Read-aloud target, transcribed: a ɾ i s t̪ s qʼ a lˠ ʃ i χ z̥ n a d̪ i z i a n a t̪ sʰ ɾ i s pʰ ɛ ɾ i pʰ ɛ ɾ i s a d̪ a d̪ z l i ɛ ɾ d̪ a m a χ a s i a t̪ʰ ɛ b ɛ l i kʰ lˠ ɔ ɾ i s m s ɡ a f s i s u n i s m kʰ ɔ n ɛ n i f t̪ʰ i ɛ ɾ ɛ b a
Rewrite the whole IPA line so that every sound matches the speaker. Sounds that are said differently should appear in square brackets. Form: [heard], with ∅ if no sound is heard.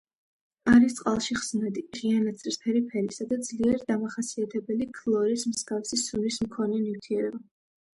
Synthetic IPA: a ɾ i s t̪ s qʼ a lˠ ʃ i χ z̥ n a d̪ i [ʁ] i a n a t̪ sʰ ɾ i s pʰ ɛ ɾ i pʰ ɛ ɾ i s a d̪ a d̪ z l i ɛ ɾ d̪ a m a χ a s i a t̪ʰ ɛ b ɛ l i kʰ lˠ ɔ ɾ i s m s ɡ a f s i s u n i s m kʰ ɔ n ɛ n i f t̪ʰ i ɛ ɾ ɛ b a